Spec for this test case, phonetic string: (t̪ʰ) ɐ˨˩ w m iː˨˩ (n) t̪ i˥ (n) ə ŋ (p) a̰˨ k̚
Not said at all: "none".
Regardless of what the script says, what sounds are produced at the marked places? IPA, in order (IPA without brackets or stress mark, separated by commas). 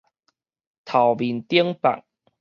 t̪ʰ, n, none, p